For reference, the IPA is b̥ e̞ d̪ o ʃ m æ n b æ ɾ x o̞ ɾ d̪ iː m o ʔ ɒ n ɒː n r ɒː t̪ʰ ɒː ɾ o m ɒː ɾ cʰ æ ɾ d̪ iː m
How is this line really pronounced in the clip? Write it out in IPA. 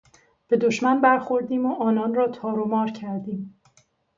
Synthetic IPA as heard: b̥ e̞ d̪ o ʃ m æ n b æ ɾ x o̞ ɾ d̪ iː m o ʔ ɒː n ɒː n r ɒː t̪ʰ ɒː ɾ o m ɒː ɾ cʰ æ ɾ d̪ iː m